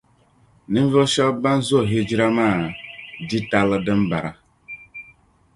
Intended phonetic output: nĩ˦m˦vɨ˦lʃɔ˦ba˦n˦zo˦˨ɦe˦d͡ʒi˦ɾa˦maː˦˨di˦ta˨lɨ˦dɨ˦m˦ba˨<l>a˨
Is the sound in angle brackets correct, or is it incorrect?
incorrect